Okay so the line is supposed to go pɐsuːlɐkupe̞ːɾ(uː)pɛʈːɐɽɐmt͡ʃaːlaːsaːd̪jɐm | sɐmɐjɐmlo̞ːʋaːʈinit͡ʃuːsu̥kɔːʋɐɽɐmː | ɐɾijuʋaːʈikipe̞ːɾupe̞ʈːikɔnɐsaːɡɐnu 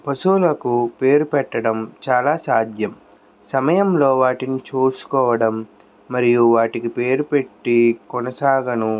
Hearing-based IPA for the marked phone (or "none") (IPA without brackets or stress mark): u